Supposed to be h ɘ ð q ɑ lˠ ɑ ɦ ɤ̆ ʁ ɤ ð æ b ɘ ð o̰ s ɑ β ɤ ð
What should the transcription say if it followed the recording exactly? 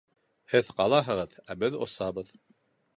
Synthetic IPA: h ɘ ð q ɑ lˠ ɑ ɦ ɤ̆ ʁ ɤ ð æ b ɘ ð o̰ s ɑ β ɤ ð